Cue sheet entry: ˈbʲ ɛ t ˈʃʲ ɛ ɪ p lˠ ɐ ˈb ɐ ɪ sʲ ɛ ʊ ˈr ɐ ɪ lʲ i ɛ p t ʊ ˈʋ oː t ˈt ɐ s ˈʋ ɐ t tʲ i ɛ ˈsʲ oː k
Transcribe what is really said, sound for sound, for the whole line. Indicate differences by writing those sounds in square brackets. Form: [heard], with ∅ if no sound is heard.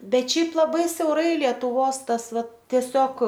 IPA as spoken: ˈbʲ ɛ t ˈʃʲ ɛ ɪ p lˠ ɐ ˈb ɐ ɪ sʲ ɛ ʊ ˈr ɐ ɪ lʲ i ɛ [∅] t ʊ ˈʋ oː [s] ˈt ɐ s ˈʋ ɐ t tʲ i ɛ ˈsʲ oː k